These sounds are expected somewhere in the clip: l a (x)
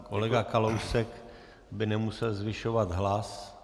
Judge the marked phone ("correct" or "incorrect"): incorrect